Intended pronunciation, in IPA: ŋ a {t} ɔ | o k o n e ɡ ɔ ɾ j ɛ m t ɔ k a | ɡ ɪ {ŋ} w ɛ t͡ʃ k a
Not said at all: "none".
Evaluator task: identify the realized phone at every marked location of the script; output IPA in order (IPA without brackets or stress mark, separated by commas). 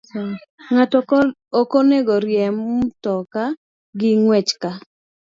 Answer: t, ŋ